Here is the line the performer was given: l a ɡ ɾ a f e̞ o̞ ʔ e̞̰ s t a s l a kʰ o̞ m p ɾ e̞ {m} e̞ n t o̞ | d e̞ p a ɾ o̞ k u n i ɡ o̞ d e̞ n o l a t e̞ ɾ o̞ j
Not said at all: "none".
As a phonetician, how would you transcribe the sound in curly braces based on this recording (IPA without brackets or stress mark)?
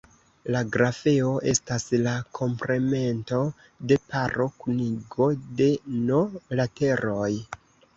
m